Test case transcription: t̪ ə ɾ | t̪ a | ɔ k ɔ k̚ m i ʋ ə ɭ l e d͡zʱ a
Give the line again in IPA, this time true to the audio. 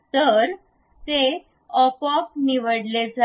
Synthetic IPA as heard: t̪ ə ɾ | t̪ e | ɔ p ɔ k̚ n i ʋ ə ɽ l e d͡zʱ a